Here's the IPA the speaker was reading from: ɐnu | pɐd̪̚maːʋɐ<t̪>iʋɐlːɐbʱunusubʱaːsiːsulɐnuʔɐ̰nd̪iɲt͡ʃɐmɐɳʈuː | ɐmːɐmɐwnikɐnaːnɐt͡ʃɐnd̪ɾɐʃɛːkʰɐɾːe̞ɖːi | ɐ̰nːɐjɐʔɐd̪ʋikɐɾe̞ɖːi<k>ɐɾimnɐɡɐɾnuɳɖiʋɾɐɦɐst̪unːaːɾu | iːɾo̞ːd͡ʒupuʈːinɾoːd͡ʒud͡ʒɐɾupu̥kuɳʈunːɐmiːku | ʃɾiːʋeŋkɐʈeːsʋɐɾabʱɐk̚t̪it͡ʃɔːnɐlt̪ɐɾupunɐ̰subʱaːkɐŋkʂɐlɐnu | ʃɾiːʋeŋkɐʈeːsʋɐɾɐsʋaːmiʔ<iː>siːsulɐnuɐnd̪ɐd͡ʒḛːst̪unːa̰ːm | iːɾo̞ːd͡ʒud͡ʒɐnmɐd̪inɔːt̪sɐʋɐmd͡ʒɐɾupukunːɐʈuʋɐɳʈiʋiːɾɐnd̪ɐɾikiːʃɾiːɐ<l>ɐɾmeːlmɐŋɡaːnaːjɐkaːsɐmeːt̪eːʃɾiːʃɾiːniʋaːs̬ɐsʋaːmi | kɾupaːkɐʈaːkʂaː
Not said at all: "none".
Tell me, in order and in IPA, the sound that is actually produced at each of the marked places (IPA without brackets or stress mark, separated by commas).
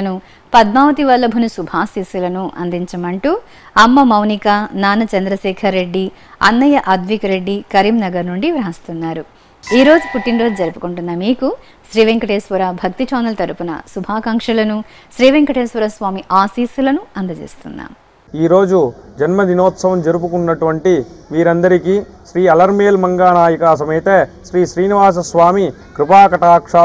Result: t̪, k, aː, l